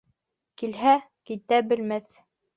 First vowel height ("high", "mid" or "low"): high